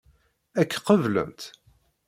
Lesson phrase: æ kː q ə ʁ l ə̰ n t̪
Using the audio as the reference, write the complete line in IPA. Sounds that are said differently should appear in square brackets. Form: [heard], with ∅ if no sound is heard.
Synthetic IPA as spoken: æ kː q ə [v] l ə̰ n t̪